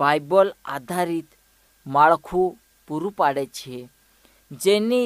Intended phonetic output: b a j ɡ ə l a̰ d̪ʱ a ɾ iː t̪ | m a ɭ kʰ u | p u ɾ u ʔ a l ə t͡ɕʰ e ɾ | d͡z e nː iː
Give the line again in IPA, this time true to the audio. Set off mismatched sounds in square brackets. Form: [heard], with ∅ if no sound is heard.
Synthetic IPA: b a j [b] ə l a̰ d̪ʱ a ɾ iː t̪ | m a ɭ kʰ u | p u ɾ u [p] a [ɽ] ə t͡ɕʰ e [∅] | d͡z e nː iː